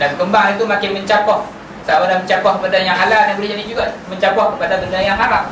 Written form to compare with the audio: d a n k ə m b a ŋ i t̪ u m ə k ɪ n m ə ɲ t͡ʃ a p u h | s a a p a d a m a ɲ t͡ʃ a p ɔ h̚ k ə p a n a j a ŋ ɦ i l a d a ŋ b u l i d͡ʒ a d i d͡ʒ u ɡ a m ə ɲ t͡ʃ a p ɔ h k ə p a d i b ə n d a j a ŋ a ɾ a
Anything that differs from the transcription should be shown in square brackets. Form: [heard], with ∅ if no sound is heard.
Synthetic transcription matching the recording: d a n k ə m b a ŋ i t̪ u m [a] k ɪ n m ə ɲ t͡ʃ a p [ɔ] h | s a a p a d a m [ə] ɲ t͡ʃ a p ɔ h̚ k ə p a [d] a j a ŋ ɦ [a] l a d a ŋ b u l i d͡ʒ a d i d͡ʒ u ɡ a m ə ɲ t͡ʃ a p ɔ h k ə p a d [a] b ə n d a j a ŋ a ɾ a